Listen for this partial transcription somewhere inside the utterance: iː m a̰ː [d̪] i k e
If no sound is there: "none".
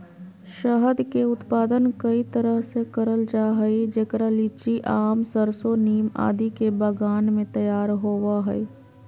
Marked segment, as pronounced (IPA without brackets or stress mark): d̪